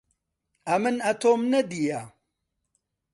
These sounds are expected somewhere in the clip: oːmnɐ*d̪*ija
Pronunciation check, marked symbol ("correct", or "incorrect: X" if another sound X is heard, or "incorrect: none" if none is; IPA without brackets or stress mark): correct